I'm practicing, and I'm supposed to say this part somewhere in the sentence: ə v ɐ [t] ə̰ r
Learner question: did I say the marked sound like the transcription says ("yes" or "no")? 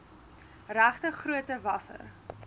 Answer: no